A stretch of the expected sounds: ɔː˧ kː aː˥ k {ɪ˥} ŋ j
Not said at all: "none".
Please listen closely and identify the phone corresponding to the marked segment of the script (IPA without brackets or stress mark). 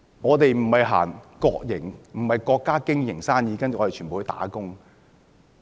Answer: ɪ˥